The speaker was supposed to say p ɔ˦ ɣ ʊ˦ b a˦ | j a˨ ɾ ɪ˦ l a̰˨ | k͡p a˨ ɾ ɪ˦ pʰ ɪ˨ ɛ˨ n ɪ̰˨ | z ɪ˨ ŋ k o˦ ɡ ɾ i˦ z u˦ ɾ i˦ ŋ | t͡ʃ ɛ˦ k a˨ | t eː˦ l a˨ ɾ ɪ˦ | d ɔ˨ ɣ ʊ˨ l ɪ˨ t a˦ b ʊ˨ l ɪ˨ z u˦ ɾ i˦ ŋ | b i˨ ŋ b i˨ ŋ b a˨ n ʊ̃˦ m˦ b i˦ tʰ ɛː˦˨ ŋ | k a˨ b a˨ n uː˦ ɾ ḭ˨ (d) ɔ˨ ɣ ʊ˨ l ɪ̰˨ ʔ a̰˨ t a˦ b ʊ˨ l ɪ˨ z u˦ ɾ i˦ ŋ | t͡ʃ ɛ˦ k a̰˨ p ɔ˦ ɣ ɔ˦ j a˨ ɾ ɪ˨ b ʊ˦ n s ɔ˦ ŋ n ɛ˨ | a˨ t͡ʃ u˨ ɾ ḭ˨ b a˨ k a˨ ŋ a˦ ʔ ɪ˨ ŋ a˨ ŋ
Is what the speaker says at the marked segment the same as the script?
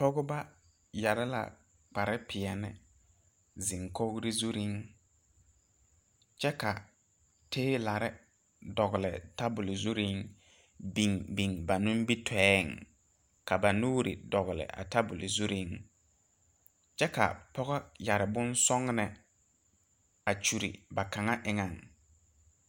yes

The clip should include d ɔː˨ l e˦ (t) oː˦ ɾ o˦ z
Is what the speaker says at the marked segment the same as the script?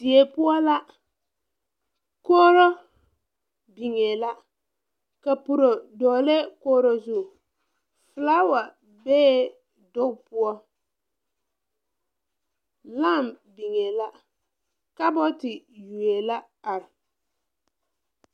no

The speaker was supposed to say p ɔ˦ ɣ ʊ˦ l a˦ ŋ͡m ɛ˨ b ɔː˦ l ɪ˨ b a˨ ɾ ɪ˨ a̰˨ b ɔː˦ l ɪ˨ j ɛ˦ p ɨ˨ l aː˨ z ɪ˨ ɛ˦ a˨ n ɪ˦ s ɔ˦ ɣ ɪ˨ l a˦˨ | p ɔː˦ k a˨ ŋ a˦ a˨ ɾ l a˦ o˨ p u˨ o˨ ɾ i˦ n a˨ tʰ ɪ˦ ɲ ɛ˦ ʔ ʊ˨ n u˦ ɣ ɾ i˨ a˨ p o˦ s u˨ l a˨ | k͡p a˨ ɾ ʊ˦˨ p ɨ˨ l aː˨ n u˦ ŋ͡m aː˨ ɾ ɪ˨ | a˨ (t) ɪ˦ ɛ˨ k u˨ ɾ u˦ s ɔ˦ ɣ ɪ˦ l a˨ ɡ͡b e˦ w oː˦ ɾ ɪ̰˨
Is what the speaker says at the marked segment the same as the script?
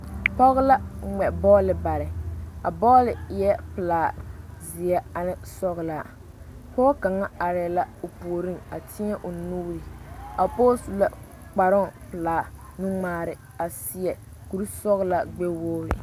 no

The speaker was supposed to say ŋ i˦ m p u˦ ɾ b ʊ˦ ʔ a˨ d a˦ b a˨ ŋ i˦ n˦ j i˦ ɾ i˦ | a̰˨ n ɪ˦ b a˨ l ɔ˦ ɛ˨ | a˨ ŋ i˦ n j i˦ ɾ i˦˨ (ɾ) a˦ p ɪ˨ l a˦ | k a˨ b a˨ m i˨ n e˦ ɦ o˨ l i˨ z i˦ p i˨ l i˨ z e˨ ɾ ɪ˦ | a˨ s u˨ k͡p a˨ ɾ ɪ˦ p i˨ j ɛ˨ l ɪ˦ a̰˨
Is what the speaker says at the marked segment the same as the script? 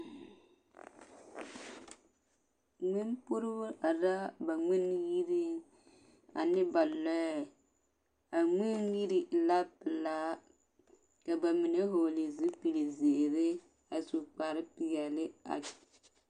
no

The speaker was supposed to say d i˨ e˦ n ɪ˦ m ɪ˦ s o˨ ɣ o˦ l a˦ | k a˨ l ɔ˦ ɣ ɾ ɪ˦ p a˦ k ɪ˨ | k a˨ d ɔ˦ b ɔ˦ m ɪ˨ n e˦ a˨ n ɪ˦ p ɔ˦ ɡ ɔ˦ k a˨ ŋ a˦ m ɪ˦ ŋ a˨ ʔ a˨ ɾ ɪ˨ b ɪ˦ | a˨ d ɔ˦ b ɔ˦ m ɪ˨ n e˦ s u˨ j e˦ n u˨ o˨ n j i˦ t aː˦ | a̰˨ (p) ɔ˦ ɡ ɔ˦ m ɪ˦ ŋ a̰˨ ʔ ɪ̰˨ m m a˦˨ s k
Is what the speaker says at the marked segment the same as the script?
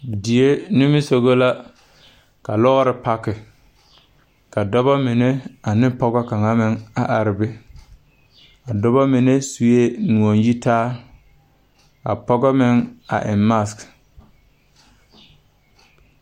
yes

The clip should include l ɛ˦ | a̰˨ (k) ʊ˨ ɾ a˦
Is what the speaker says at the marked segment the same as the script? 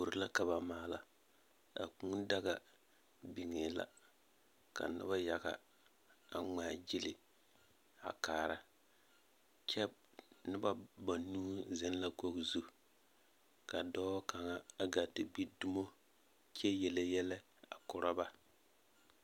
yes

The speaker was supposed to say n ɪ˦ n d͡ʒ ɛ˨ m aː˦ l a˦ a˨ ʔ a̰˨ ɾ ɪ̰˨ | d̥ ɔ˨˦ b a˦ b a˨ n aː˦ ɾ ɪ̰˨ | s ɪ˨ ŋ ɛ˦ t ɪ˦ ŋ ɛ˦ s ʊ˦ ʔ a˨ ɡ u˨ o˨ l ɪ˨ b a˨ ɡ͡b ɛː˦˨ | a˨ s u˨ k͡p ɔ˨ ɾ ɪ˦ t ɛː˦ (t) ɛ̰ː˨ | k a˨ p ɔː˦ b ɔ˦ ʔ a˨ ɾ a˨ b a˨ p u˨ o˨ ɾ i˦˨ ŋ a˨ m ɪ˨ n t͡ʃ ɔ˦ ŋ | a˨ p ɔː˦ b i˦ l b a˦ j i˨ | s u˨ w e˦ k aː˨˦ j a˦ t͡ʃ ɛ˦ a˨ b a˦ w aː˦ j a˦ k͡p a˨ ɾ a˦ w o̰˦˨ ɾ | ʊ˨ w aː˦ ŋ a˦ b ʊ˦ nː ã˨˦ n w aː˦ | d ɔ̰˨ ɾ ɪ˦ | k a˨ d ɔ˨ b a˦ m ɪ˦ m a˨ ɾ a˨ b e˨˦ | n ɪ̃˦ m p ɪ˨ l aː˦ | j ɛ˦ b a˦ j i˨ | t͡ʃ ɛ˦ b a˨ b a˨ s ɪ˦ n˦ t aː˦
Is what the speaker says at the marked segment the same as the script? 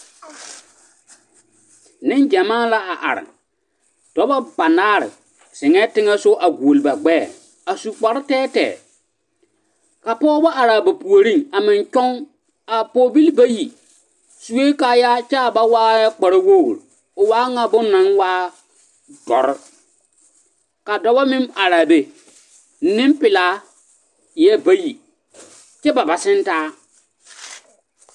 yes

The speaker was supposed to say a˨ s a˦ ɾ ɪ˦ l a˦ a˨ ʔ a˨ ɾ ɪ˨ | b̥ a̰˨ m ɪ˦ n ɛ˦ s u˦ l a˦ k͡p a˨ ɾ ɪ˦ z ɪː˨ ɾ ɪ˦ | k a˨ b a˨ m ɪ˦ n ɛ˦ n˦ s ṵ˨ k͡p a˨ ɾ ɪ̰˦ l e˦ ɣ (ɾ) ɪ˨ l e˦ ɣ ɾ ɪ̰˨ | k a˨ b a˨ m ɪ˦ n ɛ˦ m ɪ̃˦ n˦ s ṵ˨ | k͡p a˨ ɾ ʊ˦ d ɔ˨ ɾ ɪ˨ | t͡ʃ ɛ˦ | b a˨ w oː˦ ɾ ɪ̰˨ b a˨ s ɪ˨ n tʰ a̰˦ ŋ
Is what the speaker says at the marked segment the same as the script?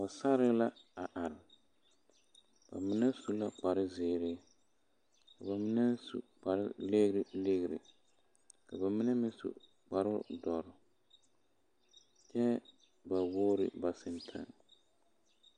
yes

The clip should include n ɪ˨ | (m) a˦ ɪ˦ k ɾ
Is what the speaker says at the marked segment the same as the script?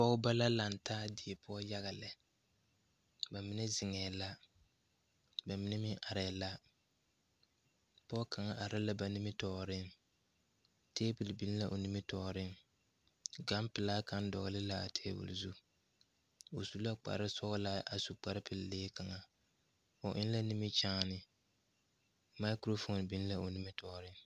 yes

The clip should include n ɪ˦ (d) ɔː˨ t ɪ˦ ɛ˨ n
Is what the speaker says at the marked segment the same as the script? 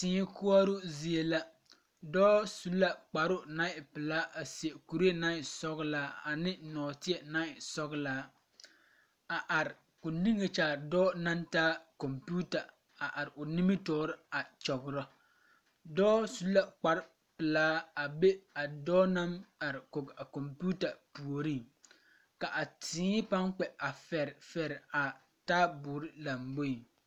no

